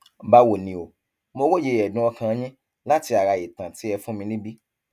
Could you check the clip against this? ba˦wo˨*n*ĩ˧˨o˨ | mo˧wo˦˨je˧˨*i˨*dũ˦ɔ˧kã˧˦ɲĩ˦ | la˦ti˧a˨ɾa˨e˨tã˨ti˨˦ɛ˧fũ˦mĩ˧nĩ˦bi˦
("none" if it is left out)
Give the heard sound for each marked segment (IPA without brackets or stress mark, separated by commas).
n, ɛ˨